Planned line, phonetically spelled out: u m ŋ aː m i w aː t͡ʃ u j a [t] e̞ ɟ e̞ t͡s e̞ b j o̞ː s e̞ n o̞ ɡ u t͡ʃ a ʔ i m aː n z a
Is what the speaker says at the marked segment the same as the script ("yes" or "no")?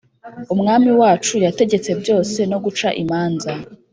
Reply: yes